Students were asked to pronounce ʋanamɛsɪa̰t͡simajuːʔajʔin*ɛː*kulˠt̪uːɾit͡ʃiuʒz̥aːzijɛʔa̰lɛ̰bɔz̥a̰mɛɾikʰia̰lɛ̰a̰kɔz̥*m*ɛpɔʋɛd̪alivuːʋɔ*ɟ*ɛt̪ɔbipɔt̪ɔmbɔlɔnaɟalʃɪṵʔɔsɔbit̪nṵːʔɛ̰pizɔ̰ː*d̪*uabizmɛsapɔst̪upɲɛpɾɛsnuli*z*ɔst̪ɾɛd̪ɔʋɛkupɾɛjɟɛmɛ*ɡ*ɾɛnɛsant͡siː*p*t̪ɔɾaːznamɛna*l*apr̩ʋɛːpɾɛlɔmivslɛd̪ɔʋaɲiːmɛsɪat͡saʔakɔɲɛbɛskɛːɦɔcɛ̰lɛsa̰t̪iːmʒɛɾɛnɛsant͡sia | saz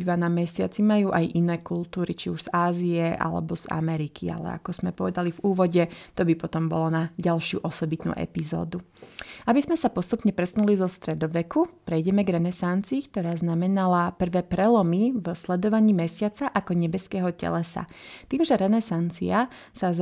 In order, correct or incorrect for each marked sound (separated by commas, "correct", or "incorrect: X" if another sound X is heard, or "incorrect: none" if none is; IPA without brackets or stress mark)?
correct, correct, correct, correct, correct, correct, incorrect: k, correct